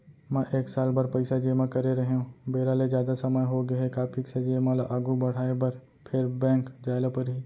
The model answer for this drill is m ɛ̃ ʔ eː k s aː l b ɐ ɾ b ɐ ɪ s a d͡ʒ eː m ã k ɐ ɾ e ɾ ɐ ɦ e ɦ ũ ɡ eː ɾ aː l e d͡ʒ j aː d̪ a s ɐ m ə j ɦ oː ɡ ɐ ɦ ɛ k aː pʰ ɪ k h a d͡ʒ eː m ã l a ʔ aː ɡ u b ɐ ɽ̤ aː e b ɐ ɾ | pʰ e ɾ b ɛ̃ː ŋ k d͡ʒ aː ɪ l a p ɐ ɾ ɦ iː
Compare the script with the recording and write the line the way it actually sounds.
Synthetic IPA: m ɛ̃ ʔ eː k s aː l b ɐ ɾ p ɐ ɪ s a d͡ʒ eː m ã k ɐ ɾ e ɾ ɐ ɦ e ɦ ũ b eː ɾ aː l e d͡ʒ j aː d̪ a s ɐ m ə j ɦ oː ɡ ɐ ɦ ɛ k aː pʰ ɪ k s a d͡ʒ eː m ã l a ʔ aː ɡ u b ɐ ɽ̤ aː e b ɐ ɾ | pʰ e ɾ b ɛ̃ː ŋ k d͡ʒ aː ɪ l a p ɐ ɾ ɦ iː

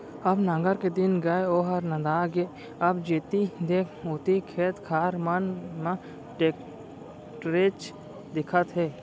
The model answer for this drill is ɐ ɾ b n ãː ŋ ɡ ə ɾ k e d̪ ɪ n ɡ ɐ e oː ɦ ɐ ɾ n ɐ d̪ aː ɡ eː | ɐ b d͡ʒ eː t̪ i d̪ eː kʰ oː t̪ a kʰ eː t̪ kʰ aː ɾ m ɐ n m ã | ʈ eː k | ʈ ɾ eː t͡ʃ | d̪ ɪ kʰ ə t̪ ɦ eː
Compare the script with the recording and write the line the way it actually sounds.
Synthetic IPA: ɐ b n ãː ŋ ɡ ə ɾ k e d̪ ɪ n ɡ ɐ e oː ɦ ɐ ɾ n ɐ d̪ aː ɡ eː | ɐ b d͡ʒ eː t̪ i d̪ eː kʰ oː t̪ i kʰ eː t̪ kʰ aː ɾ m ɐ n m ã | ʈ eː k | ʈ ɾ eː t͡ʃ | d̪ ɪ kʰ ə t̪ ɦ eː

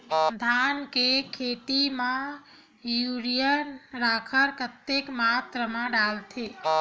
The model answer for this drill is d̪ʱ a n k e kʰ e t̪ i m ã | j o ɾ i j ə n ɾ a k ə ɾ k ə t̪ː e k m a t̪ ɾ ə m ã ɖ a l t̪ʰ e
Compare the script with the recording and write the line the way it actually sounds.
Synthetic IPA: d̪ʱ a n k e kʰ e t̪ i m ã | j u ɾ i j ə n ɾ a kʰ ə ɾ k ə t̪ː e k m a t̪ ɾ ə m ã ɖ a l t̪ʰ e

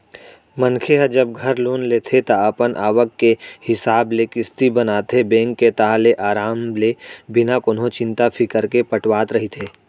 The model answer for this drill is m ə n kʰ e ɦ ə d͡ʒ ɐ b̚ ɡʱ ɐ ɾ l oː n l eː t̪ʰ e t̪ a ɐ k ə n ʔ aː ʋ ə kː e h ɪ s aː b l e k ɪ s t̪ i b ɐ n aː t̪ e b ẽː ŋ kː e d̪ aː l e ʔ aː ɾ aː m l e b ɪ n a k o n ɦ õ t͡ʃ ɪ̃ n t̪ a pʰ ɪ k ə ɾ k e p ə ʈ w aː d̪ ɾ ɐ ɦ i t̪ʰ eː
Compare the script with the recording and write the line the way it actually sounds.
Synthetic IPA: m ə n kʰ e ɦ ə d͡ʒ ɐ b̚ ɡʱ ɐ ɾ l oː n l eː t̪ʰ e t̪ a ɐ p ə n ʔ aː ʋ ə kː e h ɪ s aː b l e k ɪ s t̪ i b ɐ n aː t̪ e b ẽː ŋ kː e t̪ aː l e ʔ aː ɾ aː m l e b ɪ n a k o n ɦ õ t͡ʃ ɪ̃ n t̪ a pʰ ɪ k ə ɾ k e p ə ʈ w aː t̪ ɾ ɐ ɦ i t̪ʰ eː

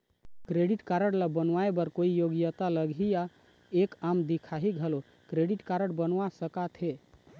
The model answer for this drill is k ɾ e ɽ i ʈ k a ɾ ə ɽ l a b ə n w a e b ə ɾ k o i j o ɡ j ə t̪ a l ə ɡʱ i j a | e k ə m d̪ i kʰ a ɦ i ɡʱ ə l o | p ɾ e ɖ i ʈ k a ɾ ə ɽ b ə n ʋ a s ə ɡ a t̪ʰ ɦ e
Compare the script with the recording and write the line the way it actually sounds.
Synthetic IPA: k ɾ e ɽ i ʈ k a ɾ ə ɽ l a b ə n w a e b ə ɾ k o i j o ɡ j ə t̪ a l ə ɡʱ i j a | e k a m d̪ i kʰ a ɦ i ɡʱ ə l o | k ɾ e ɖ i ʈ k a ɾ ə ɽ b ə n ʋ a s ə k a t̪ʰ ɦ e

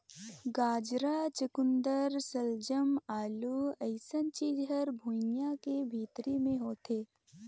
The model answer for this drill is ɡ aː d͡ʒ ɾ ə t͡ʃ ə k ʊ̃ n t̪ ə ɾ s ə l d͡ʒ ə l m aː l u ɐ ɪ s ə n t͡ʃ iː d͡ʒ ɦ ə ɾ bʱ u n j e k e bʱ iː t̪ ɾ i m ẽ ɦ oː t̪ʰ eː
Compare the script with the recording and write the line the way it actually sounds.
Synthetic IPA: ɡ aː d͡ʒ ɾ a t͡ʃ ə k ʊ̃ n d̪ ə ɾ s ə l d͡ʒ ə m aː l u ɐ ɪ s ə n t͡ʃ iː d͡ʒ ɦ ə ɾ bʱ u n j a k e bʱ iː t̪ ɾ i m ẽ ɦ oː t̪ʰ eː

